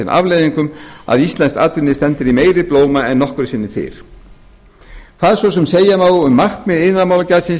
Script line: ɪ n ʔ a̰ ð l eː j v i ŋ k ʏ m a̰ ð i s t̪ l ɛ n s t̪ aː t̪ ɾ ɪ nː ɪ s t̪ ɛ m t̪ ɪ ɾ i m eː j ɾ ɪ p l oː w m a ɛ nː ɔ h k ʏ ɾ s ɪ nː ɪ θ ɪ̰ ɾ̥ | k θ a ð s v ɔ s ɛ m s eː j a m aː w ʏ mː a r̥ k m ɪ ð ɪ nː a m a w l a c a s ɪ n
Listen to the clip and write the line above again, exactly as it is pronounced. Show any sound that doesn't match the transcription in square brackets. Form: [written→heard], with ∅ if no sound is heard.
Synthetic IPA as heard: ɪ n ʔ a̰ [ð→v] l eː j [v→ð] i ŋ k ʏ m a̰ ð i s t̪ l ɛ n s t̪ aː t̪ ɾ ɪ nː ɪ s t̪ ɛ [m→n] t̪ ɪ ɾ i m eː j ɾ ɪ p l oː w m a ɛ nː ɔ h k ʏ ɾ s ɪ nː ɪ θ ɪ̰ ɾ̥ | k θ a ð s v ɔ s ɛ m s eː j a m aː w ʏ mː a r̥ k m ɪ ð ɪ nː a m a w l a c a s ɪ n